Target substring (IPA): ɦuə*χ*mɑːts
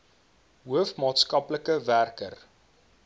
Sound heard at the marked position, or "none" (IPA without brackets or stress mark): f